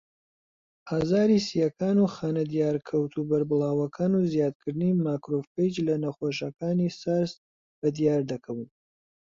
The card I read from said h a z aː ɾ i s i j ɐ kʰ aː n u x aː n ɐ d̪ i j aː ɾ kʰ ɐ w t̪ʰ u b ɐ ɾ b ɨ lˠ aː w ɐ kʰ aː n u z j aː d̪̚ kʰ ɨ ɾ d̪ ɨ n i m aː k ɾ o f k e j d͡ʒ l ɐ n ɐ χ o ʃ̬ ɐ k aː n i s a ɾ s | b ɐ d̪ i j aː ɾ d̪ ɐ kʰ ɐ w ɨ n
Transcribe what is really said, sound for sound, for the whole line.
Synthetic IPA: h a z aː ɾ i s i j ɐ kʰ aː n u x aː n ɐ d̪ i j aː ɾ kʰ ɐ w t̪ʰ u b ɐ ɾ b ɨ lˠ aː w ɐ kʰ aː n u z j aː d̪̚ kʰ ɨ ɾ d̪ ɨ n i m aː k ɾ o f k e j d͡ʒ l ɐ n ɐ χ o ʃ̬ ɐ k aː n i s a ɾ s | b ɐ d̪ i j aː ɾ d̪ ɐ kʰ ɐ w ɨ n